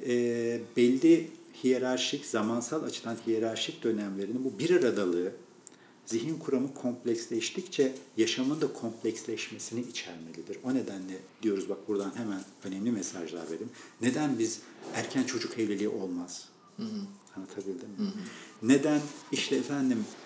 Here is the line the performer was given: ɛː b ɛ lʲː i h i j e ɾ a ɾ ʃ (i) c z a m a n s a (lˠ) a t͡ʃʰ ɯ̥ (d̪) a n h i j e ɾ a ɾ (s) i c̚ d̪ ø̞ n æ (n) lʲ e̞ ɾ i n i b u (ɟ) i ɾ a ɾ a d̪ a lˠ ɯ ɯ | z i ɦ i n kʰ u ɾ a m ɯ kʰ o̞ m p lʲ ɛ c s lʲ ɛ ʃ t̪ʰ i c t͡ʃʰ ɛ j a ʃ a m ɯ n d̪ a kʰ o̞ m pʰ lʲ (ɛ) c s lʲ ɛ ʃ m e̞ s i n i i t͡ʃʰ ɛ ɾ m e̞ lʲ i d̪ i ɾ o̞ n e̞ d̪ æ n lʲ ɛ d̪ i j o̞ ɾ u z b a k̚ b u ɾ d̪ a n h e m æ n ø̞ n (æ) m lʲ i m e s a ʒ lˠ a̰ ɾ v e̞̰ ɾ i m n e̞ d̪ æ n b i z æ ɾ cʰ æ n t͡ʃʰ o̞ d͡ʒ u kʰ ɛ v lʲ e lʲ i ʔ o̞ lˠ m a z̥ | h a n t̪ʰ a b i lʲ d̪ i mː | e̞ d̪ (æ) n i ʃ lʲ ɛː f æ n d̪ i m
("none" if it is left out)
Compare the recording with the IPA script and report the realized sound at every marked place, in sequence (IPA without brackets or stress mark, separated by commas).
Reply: i, lˠ, d̪, ʃ, m, b, ɛ, ɛ, æ